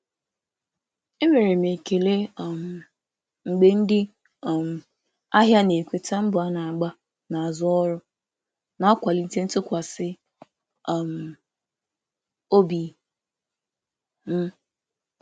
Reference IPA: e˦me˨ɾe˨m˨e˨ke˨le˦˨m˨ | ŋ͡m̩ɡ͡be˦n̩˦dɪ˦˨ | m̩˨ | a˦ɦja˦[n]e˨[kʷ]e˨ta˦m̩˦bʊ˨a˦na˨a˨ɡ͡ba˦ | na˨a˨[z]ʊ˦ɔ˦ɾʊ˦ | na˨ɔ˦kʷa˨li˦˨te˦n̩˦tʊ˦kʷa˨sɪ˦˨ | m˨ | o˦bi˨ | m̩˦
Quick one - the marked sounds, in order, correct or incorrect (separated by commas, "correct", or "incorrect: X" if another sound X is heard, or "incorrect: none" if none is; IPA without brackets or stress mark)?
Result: correct, correct, correct